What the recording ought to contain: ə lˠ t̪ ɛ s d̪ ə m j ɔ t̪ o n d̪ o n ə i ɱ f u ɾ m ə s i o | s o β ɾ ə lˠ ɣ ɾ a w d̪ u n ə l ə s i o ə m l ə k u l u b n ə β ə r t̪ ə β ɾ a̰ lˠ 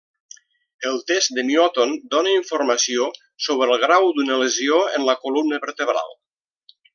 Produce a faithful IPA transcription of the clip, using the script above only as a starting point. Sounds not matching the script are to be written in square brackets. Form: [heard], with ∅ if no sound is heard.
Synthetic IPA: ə lˠ t̪ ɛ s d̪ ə m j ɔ t̪ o n d̪ o n ə i ɱ f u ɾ m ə s i o | s o β ɾ ə lˠ ɣ ɾ a w d̪ u n ə l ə [z] i o ə [n] l ə k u l u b n ə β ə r t̪ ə β ɾ a̰ lˠ